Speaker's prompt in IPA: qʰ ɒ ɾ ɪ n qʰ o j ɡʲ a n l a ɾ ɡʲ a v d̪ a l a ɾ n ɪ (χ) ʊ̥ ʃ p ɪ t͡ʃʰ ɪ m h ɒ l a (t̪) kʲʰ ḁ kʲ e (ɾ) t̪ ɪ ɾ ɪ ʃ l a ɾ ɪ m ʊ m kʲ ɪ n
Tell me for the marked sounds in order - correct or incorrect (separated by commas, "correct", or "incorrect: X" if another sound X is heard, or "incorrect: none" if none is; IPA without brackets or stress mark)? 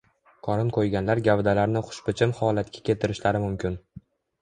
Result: correct, correct, incorrect: none